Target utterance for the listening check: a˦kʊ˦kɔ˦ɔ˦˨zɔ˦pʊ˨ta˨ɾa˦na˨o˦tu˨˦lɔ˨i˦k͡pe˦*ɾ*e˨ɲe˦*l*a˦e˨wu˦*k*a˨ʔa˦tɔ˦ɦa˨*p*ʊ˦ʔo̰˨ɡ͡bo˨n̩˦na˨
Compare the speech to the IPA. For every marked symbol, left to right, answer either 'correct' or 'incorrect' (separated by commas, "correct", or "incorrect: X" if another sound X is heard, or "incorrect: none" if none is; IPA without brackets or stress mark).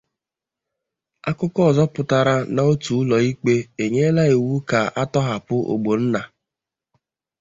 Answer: incorrect: none, correct, correct, correct